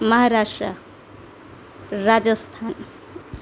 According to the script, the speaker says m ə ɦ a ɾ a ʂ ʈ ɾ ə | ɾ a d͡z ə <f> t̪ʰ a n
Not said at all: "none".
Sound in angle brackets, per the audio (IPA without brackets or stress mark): s